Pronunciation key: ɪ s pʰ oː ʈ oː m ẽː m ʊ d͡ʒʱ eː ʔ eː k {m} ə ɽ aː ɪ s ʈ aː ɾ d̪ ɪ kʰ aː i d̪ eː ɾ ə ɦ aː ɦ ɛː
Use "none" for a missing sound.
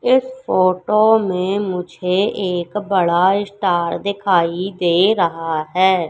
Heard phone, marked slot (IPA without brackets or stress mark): b